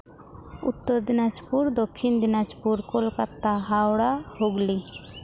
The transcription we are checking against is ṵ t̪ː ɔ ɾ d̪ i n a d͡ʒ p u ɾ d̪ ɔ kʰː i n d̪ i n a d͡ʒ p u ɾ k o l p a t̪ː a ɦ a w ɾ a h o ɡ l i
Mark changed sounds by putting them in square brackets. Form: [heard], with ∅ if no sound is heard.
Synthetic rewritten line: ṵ t̪ː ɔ ɾ d̪ i n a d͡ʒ p u ɾ d̪ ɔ kʰː i n d̪ i n a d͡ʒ p u ɾ k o l [k] a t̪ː a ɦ a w [ɽ] a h o ɡ l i